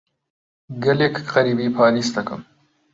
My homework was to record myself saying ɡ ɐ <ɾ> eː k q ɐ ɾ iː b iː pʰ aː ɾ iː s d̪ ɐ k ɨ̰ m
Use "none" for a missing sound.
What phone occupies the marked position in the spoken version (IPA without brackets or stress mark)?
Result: l